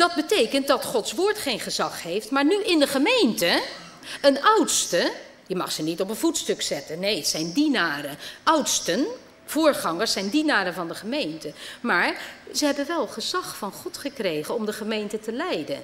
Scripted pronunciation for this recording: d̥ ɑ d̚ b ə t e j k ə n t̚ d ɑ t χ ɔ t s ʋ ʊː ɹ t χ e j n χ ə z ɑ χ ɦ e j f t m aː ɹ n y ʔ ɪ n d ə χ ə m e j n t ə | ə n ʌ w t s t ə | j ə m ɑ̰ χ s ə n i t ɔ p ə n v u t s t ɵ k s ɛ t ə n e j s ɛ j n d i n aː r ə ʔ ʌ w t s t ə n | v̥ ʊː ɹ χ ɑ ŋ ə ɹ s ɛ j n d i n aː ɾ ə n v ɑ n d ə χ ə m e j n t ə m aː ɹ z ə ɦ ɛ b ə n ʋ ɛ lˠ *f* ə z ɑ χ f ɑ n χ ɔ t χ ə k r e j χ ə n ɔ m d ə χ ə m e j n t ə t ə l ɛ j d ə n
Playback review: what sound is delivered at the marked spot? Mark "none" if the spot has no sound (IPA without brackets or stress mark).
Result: χ